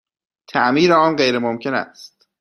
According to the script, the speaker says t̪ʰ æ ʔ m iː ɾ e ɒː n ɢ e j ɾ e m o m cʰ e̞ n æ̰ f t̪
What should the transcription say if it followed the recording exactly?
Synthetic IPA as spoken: t̪ʰ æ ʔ m iː ɾ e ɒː n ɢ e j ɾ e m o m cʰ e̞ n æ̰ s t̪